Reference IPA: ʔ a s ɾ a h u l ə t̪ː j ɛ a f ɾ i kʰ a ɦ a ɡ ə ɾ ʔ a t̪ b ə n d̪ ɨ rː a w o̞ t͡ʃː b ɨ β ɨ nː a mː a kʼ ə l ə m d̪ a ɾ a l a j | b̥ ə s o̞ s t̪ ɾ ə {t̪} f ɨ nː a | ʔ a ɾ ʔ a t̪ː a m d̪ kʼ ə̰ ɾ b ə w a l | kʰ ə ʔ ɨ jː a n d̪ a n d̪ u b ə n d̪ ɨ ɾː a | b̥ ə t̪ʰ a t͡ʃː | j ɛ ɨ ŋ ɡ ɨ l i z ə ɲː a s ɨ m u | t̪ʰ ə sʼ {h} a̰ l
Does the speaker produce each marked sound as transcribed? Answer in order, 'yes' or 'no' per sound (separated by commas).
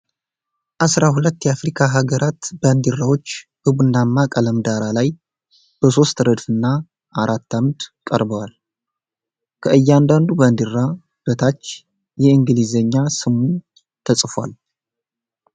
no, no